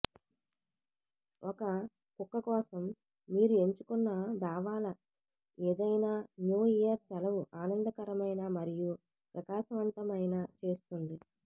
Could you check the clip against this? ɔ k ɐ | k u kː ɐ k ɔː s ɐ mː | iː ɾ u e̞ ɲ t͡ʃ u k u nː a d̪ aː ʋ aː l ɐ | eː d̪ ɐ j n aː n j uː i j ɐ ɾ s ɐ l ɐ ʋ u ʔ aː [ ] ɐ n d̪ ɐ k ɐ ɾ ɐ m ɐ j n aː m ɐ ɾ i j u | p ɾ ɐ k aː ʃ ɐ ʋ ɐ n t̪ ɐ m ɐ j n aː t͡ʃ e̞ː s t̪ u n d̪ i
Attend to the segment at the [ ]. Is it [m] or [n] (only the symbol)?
n